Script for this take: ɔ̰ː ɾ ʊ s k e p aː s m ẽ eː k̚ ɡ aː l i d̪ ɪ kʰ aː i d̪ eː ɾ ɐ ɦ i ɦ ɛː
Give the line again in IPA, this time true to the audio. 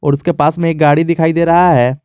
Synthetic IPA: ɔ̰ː ɾ ʊ s k e p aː s m ẽ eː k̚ ɡ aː ɽ i d̪ ɪ kʰ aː i d̪ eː ɾ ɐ ɦ a ɦ ɛː